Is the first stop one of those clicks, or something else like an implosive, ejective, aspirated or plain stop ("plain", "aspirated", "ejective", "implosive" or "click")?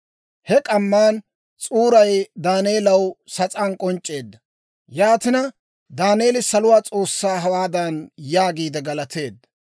ejective